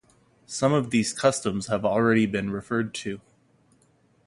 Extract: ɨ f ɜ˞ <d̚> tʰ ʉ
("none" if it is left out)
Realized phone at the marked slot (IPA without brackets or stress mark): d̚